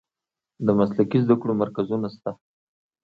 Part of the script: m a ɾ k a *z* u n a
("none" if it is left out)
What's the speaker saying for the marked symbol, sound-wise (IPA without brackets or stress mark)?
z